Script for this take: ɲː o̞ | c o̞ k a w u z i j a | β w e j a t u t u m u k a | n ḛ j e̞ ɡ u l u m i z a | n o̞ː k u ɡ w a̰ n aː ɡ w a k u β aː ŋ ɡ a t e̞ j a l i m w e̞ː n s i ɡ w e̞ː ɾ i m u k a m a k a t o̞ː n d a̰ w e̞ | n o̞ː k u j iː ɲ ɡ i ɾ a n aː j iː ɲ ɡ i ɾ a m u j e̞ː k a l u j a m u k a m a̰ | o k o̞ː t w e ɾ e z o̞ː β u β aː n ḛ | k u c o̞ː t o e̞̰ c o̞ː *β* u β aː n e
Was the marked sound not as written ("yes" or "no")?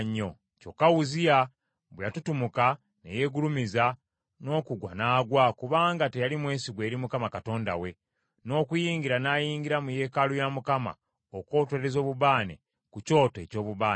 no